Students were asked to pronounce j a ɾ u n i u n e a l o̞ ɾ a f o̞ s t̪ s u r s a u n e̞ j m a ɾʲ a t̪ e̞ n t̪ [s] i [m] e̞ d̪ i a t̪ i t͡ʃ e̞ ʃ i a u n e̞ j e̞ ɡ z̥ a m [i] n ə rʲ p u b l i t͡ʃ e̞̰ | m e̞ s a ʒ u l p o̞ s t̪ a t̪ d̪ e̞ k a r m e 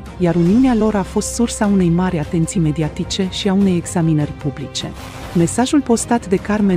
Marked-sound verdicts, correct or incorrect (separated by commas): correct, correct, correct